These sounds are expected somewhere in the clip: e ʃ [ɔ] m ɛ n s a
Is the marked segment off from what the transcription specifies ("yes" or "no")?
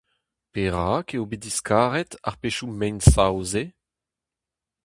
yes